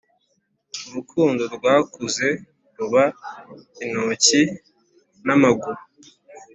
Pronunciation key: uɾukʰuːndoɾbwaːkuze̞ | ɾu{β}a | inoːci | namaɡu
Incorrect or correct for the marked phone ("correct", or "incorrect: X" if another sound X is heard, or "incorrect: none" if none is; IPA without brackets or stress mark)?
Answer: correct